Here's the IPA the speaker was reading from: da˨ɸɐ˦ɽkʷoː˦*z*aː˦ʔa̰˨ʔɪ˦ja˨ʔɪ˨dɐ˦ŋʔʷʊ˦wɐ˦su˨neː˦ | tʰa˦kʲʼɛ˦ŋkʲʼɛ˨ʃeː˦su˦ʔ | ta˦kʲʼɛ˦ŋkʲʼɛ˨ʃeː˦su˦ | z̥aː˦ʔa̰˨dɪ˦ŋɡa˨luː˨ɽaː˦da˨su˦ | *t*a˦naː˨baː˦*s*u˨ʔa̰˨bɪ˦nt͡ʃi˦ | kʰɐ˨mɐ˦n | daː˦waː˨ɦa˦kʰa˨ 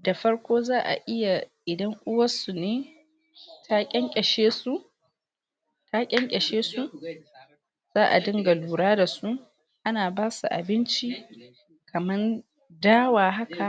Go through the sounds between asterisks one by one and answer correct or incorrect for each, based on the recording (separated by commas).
correct, incorrect, correct